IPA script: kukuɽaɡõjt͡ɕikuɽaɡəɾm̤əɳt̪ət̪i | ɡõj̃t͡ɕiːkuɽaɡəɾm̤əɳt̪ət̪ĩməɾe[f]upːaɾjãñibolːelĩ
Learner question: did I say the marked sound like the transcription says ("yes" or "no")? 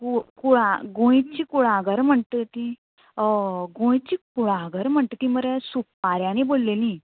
no